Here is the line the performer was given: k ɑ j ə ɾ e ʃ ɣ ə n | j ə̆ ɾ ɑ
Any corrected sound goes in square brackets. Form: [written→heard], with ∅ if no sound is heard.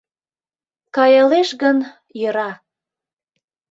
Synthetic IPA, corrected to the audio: k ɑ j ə [ɾ→l] e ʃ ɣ ə n | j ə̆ ɾ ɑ